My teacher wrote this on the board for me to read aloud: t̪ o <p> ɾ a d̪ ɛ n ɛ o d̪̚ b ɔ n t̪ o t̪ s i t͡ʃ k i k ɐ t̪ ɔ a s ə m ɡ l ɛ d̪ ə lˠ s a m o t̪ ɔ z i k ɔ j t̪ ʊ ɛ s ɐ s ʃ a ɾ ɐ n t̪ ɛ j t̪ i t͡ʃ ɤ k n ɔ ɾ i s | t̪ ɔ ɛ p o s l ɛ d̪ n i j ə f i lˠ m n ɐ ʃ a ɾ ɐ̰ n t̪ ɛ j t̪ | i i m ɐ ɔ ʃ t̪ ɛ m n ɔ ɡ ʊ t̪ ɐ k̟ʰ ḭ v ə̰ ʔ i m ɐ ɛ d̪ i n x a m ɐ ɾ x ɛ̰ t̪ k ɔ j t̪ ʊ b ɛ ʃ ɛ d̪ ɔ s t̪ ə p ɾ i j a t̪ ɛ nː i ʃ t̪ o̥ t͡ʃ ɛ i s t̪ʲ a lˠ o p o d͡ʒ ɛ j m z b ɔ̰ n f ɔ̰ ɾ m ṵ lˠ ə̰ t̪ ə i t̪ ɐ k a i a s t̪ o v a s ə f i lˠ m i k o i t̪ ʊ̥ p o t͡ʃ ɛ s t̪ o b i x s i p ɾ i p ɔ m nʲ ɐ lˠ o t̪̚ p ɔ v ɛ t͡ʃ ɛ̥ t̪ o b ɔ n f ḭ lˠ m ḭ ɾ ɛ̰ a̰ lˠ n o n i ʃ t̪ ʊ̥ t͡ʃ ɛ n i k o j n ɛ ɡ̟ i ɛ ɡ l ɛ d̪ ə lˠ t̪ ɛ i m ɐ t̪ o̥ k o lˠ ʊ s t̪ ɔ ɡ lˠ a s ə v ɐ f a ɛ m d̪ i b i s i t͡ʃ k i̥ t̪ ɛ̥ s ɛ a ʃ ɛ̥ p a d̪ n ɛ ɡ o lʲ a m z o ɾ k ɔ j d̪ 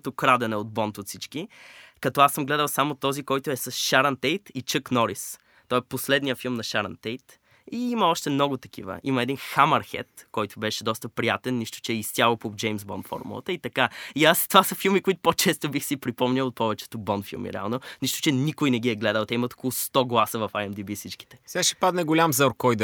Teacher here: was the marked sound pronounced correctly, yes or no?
no